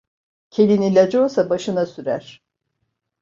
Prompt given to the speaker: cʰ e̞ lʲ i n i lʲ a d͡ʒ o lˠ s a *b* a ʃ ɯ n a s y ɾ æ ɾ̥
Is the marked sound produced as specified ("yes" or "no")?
yes